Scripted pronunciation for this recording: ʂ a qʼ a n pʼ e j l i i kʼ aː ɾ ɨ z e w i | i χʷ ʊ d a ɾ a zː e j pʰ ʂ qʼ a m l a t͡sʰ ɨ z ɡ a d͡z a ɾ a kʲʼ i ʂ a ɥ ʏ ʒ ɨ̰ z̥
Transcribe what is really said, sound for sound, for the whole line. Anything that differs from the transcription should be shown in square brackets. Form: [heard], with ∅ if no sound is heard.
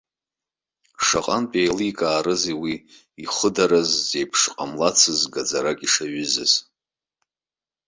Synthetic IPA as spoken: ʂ a qʼ a n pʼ e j l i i kʼ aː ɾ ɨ z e w i | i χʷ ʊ d a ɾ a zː e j pʰ ʂ qʼ a m l a t͡sʰ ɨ z ɡ a d͡z a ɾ a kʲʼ i ʂ a ɥ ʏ [z] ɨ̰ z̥